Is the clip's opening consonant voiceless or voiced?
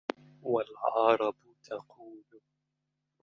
voiced